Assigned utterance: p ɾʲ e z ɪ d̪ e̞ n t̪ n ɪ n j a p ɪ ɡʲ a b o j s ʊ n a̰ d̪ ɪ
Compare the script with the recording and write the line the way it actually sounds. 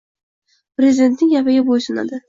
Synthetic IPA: p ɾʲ e z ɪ d̪ e̞ n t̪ n ɪ ŋ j a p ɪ ɡʲ a b o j s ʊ n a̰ d̪ ɪ

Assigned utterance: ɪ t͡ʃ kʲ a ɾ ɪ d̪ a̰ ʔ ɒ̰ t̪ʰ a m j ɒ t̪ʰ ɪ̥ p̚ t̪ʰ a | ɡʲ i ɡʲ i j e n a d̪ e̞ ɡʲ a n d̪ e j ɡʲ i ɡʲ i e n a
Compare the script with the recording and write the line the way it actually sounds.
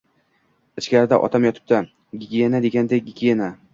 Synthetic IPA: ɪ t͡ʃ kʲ a ɾ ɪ d̪ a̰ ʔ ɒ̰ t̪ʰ a m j ɒ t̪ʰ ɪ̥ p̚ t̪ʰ a | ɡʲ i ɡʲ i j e n a d̪ e̞ ɡʲ a n d̪ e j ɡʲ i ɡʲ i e n a

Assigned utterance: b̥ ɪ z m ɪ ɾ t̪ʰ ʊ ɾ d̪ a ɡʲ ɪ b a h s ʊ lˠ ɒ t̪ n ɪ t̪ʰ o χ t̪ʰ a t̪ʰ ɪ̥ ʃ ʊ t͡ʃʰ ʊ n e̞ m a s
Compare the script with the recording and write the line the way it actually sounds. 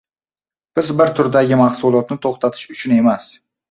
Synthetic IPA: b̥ ɪ z b ɪ ɾ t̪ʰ ʊ ɾ d̪ a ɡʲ ɪ m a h s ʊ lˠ ɒ t̪ n ɪ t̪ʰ o χ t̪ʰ a t̪ʰ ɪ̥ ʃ ʊ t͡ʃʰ ʊ n e̞ m a s

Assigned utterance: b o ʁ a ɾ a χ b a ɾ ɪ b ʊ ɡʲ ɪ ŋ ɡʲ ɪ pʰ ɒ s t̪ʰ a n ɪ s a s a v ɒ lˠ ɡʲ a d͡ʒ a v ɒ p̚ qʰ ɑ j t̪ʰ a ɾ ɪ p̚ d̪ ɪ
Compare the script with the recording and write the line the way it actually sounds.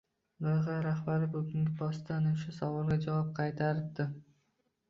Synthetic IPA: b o ʁ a ɾ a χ b a ɾ ɪ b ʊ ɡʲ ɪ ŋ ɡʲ ɪ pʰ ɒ s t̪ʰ a n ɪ ʃ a s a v ɒ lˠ ɡʲ a d͡ʒ a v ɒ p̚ qʰ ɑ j t̪ʰ a ɾ ɪ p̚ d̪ ɪ

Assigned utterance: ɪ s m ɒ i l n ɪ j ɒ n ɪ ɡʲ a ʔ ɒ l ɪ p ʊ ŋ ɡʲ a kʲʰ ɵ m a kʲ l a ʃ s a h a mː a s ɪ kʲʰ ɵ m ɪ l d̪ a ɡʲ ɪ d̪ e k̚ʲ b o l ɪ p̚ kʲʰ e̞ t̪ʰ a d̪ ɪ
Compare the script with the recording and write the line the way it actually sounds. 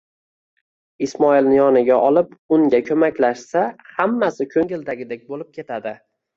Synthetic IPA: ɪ s m ɒ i l n ɪ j ɒ n ɪ ɡʲ a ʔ ɒ l ɪ p ʊ ŋ ɡʲ a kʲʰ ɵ m a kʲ l a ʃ s a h a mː a s ɪ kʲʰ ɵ ŋ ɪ l d̪ a ɡʲ ɪ d̪ e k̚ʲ b o l ɪ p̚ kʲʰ e̞ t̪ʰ a d̪ ɪ

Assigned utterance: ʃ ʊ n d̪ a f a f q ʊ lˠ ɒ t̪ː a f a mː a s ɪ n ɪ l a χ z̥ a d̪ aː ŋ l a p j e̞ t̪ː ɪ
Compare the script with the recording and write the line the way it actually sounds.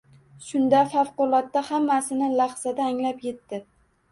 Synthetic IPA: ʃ ʊ n d̪ a f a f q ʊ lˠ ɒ t̪ː a h a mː a s ɪ n ɪ l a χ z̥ a d̪ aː ŋ l a p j e̞ t̪ː ɪ

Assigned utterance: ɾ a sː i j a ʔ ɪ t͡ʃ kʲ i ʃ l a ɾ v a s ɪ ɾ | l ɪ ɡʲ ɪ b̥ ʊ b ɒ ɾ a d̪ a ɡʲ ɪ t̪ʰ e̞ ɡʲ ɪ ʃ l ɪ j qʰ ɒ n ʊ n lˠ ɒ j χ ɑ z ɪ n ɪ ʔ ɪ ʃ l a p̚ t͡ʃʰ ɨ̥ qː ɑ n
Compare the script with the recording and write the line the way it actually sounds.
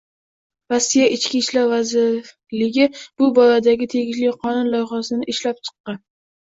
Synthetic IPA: ɾ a sː i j a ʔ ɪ t͡ʃ kʲ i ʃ l a ɾ v a z ɪ ɾ | l ɪ ɡʲ ɪ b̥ ʊ b ɒ ɾ a d̪ a ɡʲ ɪ t̪ʰ e̞ ɡʲ ɪ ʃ l ɪ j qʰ ɒ n ʊ n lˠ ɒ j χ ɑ s ɪ n ɪ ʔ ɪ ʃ l a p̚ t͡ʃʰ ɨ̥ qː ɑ n

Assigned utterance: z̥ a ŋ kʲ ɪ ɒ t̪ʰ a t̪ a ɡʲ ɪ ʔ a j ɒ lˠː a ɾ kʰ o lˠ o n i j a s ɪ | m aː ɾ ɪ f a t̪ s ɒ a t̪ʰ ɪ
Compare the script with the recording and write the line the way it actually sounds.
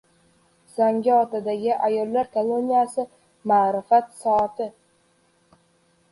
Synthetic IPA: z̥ a ŋ ɡʲ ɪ ɒ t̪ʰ a d̪ a ɡʲ ɪ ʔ a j ɒ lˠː a ɾ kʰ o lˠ o n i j a s ɪ | m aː ɾ ɪ f a t̪ s ɒ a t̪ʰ ɪ

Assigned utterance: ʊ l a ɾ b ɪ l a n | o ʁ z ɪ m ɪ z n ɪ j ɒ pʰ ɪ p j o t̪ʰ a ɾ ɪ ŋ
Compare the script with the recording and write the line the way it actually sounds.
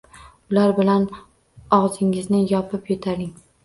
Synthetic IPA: ʊ l a ɾ b ɪ l a n | ɒ ʁ z ɪ ŋ ɪ z n ɪ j ɒ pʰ ɪ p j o t̪ʰ a ɾ ɪ ŋ

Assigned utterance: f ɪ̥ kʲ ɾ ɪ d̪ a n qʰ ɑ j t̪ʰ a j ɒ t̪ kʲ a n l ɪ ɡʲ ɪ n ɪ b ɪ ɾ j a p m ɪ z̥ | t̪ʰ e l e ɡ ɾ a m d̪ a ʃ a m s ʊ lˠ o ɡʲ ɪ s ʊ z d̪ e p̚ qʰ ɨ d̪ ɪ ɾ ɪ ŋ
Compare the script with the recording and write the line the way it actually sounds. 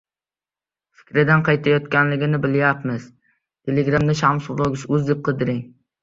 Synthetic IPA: f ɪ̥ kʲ ɾ ɪ d̪ a n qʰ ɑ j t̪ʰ a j ɒ t̪ kʲ a n l ɪ ɡʲ ɪ n ɪ b ɪ l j a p m ɪ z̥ | t̪ʰ e l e ɡ ɾ a m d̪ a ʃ a m s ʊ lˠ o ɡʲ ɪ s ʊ z d̪ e p̚ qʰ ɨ d̪ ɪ ɾ ɪ ŋ

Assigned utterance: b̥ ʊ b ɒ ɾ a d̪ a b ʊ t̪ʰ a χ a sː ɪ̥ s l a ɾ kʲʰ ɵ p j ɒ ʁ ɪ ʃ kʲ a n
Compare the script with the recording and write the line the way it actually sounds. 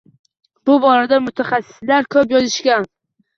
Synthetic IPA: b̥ ʊ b ɒ ɾ a d̪ a m ʊ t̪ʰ a χ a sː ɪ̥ s l a ɾ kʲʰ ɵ p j ɒ z ɪ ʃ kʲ a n

